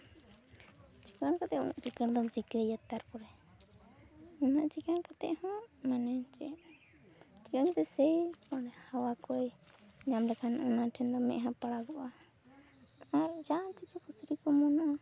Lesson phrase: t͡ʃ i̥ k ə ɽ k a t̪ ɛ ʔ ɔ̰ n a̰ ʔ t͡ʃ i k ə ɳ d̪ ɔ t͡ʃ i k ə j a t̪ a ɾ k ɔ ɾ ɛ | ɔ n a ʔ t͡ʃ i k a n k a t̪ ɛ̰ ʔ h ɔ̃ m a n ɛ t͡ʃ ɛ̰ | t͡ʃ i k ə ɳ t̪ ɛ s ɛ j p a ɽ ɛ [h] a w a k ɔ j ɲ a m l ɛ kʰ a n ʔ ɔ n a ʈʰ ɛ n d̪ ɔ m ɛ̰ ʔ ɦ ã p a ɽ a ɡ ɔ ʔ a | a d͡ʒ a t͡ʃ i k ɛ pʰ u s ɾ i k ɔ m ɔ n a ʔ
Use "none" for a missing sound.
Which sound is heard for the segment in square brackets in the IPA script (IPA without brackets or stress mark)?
h